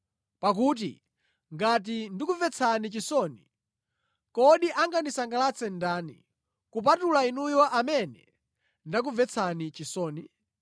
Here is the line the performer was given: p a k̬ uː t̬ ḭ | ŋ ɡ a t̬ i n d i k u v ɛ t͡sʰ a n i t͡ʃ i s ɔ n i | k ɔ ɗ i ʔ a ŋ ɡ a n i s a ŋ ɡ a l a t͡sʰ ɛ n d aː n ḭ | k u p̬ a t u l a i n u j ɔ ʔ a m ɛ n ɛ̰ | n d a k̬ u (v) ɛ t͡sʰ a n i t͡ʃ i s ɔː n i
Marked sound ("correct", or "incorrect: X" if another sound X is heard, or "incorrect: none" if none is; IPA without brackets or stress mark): correct